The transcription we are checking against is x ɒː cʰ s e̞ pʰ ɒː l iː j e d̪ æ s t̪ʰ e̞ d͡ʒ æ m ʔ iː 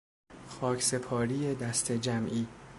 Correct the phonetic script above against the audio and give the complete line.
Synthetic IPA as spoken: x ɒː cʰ s e̞ pʰ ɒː ɾ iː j e d̪ æ s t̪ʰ e̞ d͡ʒ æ m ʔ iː